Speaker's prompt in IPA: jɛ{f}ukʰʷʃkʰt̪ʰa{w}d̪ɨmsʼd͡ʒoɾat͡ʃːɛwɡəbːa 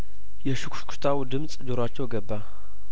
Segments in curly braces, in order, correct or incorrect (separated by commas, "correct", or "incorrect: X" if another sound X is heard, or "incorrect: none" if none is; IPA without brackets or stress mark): incorrect: ʃ, correct